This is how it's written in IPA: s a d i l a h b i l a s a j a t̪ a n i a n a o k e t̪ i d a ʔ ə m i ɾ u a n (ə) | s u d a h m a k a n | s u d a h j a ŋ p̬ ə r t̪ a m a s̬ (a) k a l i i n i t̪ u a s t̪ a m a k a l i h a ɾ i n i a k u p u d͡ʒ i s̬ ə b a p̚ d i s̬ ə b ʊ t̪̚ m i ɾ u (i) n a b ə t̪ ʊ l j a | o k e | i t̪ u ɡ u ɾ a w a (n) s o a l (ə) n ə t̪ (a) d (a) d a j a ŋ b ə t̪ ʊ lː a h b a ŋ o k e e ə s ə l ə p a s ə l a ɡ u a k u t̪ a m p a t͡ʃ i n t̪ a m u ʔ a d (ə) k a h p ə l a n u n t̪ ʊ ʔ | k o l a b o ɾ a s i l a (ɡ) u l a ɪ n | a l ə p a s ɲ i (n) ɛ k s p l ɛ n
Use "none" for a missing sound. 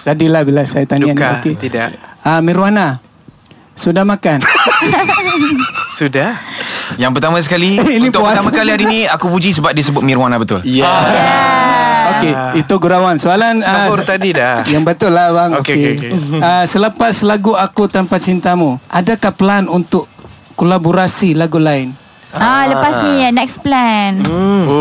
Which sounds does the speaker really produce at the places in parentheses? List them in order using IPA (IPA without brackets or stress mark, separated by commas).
a, ə, a, n, a, a, i, a, ɡ, n